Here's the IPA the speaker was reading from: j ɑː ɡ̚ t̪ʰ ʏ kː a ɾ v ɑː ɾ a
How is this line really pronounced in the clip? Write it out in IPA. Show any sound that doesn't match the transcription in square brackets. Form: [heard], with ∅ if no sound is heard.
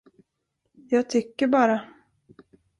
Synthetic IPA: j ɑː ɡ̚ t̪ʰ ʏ kː [ə] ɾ [b] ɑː ɾ a